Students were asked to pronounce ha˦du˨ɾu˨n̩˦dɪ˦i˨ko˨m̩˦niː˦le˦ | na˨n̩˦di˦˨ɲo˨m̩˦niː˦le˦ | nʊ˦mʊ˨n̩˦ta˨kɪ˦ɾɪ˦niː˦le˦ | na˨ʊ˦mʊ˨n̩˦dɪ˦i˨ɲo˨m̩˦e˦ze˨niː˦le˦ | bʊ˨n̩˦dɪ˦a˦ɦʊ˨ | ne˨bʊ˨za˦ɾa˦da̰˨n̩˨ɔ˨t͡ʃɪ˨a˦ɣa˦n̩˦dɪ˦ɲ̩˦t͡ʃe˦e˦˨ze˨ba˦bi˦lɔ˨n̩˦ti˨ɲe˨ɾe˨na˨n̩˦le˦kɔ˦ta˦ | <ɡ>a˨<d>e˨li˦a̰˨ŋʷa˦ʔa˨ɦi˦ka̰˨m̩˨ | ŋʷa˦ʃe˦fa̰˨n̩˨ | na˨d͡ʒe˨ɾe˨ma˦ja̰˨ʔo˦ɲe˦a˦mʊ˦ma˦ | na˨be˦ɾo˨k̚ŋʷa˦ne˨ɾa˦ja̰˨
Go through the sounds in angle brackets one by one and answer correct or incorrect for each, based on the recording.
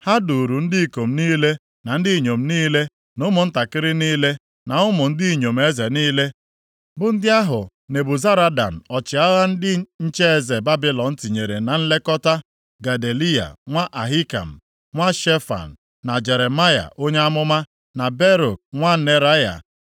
correct, correct

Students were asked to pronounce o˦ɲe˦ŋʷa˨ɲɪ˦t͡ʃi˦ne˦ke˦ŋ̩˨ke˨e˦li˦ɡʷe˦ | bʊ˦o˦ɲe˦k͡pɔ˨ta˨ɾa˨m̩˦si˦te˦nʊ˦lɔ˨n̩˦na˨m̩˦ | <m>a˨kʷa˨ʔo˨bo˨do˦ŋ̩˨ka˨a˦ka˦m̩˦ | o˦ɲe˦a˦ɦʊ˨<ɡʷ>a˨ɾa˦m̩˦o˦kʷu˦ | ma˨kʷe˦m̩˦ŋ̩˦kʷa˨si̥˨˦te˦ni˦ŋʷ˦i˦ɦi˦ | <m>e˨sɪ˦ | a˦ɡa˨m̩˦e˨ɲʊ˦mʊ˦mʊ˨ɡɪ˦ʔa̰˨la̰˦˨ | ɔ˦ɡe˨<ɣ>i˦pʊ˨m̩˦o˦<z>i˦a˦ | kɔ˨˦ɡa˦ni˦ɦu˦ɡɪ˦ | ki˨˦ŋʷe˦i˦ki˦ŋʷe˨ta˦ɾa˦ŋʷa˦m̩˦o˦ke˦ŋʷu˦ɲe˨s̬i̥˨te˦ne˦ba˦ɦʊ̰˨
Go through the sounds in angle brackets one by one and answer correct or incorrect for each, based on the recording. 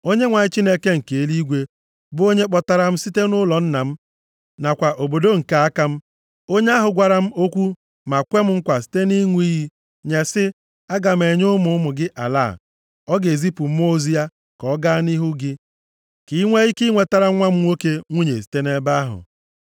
incorrect: n, correct, incorrect: ɲ, incorrect: z, correct

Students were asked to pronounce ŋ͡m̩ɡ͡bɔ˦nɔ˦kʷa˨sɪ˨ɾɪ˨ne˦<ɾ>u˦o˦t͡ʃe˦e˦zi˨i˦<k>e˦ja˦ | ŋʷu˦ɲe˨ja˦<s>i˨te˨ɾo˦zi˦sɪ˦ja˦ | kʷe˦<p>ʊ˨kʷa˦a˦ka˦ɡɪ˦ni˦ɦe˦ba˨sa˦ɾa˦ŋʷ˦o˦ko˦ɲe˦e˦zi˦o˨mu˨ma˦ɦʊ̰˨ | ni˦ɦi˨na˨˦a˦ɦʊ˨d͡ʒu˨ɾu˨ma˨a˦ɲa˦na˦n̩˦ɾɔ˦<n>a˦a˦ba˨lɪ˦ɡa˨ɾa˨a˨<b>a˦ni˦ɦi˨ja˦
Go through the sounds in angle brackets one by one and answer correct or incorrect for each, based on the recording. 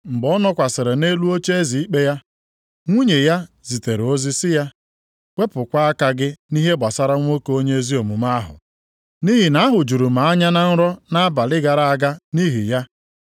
incorrect: l, incorrect: k͡p, incorrect: z, correct, correct, incorrect: ɡ

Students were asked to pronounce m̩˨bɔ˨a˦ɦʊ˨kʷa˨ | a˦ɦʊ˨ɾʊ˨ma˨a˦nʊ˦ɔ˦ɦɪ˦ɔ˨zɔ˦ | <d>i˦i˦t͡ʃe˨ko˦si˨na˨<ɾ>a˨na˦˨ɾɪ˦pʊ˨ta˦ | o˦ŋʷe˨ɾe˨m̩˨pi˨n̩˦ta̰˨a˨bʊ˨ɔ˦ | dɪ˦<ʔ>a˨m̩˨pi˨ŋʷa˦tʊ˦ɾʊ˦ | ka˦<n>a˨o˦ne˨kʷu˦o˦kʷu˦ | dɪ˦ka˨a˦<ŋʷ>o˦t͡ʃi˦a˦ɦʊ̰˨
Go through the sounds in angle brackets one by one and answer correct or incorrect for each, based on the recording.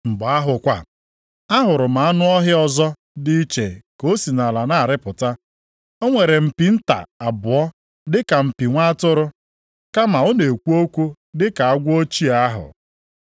correct, incorrect: l, incorrect: k, incorrect: m, incorrect: ɡʷ

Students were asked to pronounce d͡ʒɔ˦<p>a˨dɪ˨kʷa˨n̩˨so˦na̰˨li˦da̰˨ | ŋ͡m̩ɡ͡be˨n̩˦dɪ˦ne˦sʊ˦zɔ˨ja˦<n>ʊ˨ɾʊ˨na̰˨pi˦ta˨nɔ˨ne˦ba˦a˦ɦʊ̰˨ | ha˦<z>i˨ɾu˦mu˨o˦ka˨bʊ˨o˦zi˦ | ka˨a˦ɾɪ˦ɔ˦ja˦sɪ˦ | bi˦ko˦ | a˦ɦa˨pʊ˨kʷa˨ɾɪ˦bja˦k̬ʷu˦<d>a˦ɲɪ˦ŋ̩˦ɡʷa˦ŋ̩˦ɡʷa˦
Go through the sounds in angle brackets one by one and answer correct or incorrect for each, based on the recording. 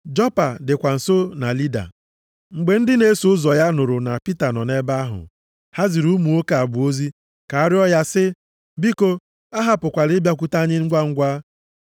correct, correct, correct, incorrect: t

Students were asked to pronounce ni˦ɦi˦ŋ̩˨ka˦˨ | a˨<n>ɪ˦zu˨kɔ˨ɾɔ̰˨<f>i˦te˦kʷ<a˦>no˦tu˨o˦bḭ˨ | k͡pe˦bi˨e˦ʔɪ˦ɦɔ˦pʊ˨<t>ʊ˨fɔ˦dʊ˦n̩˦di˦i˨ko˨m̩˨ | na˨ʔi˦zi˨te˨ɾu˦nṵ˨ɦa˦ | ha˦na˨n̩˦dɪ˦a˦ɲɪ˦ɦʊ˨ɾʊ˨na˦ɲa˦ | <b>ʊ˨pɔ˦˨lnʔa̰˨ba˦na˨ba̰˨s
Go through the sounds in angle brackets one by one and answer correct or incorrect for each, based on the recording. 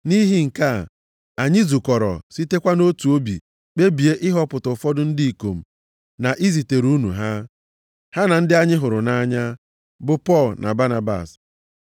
incorrect: ɲ, incorrect: s, correct, correct, correct

